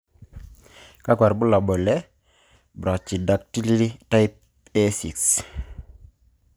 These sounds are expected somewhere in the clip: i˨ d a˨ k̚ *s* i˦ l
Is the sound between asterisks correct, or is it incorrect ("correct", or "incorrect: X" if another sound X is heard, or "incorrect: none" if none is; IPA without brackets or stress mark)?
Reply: incorrect: t